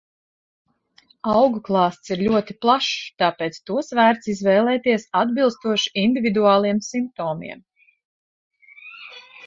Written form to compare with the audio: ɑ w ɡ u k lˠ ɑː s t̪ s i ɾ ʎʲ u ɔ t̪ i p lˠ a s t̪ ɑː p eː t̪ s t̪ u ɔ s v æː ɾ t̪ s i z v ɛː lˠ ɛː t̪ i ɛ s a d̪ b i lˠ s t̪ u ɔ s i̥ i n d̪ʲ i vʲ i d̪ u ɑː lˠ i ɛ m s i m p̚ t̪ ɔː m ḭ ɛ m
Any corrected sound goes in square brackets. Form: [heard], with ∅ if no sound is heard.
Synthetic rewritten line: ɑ w ɡ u k lˠ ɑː s t̪ s i ɾ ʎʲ u ɔ t̪ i p lˠ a [ʃ] t̪ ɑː p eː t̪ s t̪ u ɔ s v æː ɾ t̪ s i z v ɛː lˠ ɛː t̪ i ɛ s a d̪ b i lˠ s t̪ u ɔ [ʃ] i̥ i n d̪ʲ i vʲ i d̪ u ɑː lˠ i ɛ m s i m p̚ t̪ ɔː m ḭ ɛ m